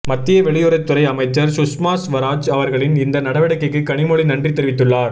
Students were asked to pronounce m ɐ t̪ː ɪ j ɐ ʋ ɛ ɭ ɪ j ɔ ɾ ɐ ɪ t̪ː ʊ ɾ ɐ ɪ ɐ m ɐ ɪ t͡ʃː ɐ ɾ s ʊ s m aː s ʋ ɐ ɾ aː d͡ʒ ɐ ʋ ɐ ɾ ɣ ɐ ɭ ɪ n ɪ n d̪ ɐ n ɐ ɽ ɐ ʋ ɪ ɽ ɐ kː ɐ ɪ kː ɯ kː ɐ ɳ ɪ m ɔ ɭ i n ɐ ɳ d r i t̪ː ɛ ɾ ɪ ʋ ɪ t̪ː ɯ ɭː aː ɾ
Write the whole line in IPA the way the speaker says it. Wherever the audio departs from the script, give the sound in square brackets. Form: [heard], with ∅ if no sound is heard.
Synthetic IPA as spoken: m ɐ t̪ː ɪ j ɐ ʋ ɛ ɭ ɪ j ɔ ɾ ɐ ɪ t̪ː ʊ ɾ ɐ ɪ ɐ m ɐ ɪ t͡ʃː ɐ ɾ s ʊ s m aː s ʋ ɐ ɾ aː d͡ʒ ɐ ʋ ɐ ɾ ɣ ɐ ɭ ɪ n ɪ n d̪ ɐ n ɐ ɽ ɐ ʋ ɪ ɽ ɐ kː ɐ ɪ kː ɯ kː ɐ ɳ ɪ m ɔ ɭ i n ɐ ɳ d r i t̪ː ɛ ɾ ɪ ʋ ɪ t̪ː ɯ ɭː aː ɾ